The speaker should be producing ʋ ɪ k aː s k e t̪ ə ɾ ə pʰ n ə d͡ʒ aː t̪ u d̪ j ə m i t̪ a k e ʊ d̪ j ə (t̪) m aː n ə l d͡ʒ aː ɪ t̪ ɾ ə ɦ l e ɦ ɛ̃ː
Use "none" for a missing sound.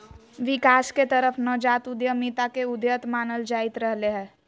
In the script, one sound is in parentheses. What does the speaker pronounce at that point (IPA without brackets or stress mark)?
t̪